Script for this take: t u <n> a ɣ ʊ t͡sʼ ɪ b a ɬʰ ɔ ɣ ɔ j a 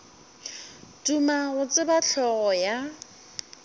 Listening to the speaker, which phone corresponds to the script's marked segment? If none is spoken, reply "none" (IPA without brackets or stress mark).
m